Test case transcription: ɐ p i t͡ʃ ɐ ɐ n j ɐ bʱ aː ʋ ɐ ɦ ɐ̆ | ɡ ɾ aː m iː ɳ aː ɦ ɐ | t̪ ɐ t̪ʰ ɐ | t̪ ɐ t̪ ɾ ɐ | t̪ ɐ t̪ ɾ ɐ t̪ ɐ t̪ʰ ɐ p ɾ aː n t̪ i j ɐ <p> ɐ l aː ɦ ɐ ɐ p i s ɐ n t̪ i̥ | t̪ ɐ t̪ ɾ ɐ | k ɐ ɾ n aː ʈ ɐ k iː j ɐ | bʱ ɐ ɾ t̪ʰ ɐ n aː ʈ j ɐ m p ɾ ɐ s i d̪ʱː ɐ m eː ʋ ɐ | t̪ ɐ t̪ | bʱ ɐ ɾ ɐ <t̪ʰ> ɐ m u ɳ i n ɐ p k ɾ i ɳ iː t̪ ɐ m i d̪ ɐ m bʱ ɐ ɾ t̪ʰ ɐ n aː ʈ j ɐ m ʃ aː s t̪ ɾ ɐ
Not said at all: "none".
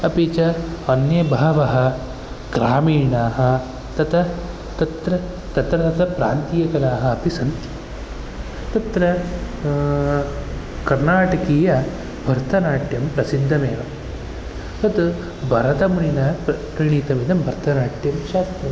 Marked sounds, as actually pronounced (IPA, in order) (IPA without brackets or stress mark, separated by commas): k, t̪